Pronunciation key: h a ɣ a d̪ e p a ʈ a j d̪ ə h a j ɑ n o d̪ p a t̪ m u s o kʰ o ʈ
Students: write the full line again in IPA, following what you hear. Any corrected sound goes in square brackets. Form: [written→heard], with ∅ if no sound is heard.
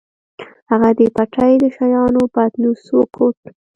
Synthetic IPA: h a ɣ a d̪ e p a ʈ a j d̪ ə [h→ʃ] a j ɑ n o [d̪→∅] p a t̪ [m→n] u s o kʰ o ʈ

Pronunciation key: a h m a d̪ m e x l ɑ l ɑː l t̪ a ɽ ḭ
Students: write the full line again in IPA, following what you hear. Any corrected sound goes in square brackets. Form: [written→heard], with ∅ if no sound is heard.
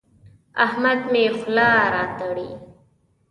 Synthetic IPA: a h m a d̪ m e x l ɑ [l→ɾ] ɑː [l→∅] t̪ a ɽ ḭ

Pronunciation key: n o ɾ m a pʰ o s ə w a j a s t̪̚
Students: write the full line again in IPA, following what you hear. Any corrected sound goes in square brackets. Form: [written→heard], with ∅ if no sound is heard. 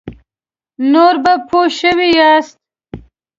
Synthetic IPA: n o ɾ [m→b] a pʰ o [s→ʃ] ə w [a→i] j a s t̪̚

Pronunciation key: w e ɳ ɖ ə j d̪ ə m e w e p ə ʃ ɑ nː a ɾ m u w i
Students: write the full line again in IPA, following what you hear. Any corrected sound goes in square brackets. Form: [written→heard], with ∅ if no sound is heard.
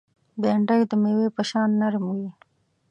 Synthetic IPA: [w→b] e ɳ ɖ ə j d̪ ə m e w e p ə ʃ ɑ nː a ɾ m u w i

